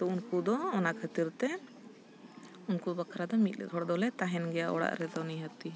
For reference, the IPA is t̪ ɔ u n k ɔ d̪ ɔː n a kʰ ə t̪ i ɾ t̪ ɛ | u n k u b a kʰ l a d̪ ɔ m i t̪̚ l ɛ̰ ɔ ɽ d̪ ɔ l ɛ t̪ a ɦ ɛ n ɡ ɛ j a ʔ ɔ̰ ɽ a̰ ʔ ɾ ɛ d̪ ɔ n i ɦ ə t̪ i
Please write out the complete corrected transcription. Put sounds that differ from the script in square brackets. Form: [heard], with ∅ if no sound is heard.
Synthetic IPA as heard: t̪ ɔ u n k [u] d̪ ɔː n a kʰ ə t̪ i ɾ t̪ ɛ | u n k u b a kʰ [ɾ] a d̪ ɔ m i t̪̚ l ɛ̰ ɔ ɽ d̪ ɔ l ɛ t̪ a ɦ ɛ n ɡ ɛ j a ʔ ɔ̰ ɽ a̰ ʔ ɾ ɛ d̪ ɔ n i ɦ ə t̪ i